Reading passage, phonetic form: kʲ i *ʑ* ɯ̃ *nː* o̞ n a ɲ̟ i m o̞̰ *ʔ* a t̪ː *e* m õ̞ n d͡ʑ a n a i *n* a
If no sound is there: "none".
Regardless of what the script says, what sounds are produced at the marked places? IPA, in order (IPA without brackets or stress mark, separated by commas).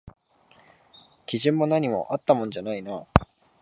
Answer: ʑ, mː, ʔ, a, n